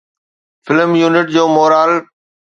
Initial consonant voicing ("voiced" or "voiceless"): voiceless